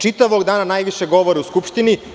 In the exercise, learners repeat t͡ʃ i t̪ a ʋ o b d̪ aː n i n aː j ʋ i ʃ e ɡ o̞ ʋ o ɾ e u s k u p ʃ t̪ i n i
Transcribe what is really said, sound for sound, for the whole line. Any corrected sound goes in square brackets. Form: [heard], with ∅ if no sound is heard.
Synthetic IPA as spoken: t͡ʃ i t̪ a ʋ o [ɡ] d̪ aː n [a] n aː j ʋ i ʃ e ɡ o̞ ʋ o ɾ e u s k u p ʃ t̪ i n i